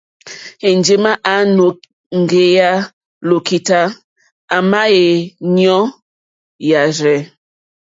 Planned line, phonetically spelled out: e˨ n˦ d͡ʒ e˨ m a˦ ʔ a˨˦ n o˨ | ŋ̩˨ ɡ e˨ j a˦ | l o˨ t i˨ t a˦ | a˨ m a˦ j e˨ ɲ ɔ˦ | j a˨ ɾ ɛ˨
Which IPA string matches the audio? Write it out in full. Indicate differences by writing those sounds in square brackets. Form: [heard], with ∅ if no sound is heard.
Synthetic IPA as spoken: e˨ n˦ d͡ʒ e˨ m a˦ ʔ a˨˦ n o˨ | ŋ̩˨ ɡ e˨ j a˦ | l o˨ [k] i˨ t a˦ | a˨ m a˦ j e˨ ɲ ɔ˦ | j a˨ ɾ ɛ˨